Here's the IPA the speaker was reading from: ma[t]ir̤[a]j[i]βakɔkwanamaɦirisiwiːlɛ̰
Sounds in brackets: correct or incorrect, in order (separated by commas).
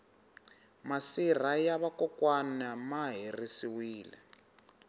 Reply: incorrect, correct, incorrect